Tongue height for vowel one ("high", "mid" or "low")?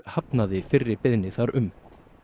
low